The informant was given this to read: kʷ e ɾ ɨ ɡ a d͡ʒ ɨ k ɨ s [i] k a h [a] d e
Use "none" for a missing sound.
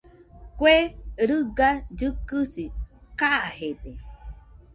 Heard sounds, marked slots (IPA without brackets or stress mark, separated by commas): i, e